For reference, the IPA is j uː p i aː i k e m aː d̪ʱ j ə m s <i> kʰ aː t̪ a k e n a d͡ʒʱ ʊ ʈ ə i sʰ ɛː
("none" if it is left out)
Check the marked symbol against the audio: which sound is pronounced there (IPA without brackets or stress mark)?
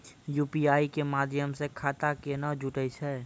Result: e